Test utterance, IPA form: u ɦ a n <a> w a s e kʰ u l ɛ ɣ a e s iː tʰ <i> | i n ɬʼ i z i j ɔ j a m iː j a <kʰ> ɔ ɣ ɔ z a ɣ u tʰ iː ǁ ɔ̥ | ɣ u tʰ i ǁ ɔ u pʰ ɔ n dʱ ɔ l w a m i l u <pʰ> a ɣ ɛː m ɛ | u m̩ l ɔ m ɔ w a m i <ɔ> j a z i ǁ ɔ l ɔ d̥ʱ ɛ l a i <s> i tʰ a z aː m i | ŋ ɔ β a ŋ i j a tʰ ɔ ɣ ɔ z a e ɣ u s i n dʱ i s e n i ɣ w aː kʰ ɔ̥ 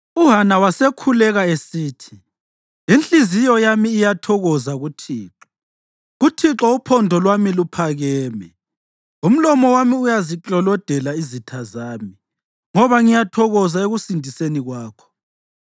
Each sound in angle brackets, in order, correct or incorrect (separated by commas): correct, correct, incorrect, correct, incorrect, incorrect